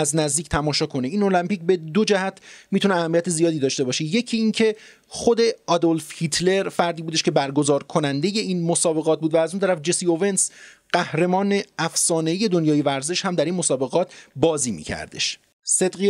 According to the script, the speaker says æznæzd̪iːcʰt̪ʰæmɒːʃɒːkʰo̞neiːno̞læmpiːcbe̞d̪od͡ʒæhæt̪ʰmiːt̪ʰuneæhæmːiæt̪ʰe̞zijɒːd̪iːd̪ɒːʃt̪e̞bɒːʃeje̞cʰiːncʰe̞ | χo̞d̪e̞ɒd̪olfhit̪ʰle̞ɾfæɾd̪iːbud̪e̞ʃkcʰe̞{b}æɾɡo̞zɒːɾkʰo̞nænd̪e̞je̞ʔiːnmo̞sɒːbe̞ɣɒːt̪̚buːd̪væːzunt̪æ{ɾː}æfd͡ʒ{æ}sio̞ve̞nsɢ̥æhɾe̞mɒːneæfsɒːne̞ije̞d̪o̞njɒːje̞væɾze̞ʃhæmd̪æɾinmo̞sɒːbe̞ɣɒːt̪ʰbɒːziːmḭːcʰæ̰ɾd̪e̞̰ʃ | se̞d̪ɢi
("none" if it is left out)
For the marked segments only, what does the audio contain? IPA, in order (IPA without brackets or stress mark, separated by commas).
b, ɾ, e